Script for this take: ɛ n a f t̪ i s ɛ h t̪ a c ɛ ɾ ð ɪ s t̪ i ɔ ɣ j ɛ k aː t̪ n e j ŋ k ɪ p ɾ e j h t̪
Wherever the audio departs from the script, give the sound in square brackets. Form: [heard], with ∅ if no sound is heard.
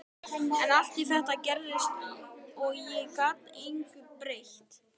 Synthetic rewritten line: ɛ n a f t̪ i [θ] ɛ h t̪ a c ɛ ɾ ð ɪ s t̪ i ɔ ɣ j ɛ k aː t̪ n e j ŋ k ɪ p ɾ e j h t̪